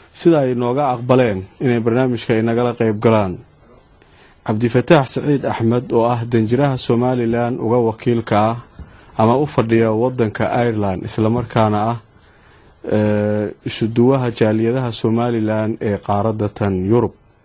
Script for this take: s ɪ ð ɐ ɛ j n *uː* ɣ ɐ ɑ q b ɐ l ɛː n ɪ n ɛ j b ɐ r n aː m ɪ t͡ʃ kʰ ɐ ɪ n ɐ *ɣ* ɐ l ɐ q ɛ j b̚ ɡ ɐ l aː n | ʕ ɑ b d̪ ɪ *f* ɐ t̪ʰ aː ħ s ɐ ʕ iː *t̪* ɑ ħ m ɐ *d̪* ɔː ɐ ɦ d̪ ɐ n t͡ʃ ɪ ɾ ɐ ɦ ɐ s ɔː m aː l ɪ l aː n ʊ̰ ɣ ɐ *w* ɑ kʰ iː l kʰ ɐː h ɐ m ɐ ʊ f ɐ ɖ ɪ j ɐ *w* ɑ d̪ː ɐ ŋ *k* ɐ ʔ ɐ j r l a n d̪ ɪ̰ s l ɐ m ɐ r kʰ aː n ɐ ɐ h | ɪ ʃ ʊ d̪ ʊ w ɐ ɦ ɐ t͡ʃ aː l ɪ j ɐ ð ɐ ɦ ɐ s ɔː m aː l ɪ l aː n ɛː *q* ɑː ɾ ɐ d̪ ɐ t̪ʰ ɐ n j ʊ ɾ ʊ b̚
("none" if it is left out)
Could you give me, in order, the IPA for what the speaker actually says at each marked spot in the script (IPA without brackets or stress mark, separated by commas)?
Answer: ɔː, ɣ, f, d̪, d̪, w, w, kʰ, q